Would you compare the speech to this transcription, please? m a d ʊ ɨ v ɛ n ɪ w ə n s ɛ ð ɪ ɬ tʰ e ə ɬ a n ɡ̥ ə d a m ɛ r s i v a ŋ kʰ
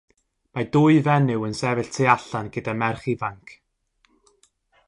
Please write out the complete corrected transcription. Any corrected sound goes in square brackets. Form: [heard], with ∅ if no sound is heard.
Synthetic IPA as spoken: m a d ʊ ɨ v ɛ n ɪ w ə n s ɛ [v] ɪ ɬ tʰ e [a] ɬ a n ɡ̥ ə d a m ɛ r [χ] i v a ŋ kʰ

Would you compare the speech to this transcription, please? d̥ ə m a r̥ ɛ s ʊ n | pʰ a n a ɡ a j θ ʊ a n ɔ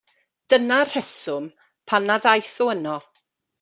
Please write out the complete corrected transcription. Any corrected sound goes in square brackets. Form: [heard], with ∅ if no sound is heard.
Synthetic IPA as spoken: d̥ ə [n] a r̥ ɛ s ʊ [m] | pʰ a n a [d] a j θ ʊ [ə] n ɔ

